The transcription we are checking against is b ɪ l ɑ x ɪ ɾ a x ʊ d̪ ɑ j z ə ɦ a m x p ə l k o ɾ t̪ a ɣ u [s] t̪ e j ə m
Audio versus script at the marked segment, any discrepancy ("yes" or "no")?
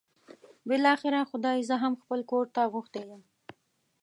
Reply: yes